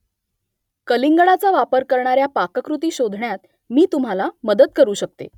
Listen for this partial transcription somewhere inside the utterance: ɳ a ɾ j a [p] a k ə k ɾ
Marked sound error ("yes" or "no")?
no